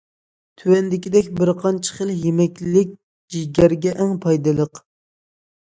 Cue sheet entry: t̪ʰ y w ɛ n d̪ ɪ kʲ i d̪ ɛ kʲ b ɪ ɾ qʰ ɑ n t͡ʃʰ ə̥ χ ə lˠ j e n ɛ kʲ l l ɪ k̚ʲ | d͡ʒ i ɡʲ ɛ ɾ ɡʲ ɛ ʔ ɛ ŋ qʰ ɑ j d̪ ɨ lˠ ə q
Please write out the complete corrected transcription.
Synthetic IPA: t̪ʰ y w ɛ n d̪ ɪ kʲ i d̪ ɛ kʲ b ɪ ɾ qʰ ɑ n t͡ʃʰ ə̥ χ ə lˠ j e m ɛ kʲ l l ɪ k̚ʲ | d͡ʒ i ɡʲ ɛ ɾ ɡʲ ɛ ʔ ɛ ŋ pʰ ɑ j d̪ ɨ lˠ ə q